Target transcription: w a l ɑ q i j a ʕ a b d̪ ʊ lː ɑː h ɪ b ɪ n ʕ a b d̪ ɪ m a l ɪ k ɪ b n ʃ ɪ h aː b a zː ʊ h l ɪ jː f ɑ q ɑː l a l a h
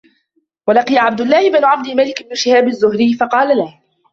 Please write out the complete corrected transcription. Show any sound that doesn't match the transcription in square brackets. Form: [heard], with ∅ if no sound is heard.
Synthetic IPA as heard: w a l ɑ q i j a ʕ a b d̪ ʊ lː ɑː h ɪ b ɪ n ʕ a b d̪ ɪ m a l ɪ k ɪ b n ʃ ɪ h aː b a zː ʊ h [ɾ] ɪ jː f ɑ q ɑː l a l a h